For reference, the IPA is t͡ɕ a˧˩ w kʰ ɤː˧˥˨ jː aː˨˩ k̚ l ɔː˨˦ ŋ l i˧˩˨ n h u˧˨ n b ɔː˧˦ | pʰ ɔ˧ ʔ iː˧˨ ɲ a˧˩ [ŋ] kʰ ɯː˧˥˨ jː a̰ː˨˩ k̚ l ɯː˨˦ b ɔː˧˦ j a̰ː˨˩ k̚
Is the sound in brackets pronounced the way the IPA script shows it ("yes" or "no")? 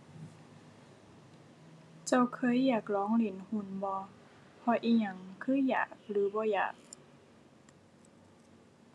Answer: yes